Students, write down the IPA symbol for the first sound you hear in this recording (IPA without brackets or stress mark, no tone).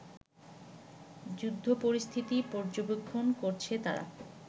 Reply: d͡ʑ